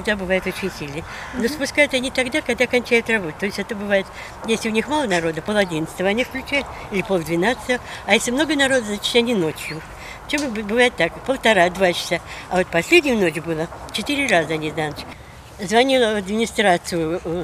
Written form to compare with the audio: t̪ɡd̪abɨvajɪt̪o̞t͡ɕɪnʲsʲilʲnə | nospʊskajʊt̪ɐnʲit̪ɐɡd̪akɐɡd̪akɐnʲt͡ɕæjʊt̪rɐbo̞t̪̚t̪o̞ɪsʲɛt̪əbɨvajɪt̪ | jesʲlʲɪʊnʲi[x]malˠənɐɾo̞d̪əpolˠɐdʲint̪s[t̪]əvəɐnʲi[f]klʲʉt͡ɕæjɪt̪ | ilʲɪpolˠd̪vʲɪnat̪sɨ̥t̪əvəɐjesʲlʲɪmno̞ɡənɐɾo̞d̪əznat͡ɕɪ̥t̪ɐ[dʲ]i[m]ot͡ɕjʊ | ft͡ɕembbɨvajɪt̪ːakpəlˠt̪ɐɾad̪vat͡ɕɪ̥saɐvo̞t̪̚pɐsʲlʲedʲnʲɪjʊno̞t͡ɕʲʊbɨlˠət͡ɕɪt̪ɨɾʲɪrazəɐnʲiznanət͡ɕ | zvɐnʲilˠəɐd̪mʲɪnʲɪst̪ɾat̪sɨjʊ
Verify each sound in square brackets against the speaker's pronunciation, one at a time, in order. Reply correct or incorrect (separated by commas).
correct, correct, correct, incorrect, incorrect